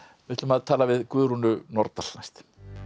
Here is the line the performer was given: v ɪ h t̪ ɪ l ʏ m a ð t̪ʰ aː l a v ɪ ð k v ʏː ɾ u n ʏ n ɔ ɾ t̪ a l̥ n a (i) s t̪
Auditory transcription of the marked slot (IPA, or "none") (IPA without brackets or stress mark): j